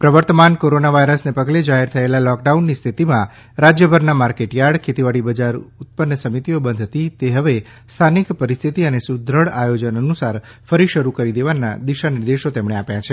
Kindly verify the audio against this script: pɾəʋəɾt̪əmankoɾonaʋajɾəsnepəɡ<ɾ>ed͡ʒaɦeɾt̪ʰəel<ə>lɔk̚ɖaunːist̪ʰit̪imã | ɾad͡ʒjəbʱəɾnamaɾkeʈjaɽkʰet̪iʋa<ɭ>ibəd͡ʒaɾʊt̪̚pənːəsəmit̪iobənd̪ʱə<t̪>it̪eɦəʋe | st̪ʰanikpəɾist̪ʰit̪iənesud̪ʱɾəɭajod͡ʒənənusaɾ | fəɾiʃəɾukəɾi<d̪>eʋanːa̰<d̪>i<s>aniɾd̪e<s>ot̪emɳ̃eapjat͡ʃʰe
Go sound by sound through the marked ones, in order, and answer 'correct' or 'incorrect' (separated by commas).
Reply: incorrect, incorrect, incorrect, correct, correct, correct, incorrect, incorrect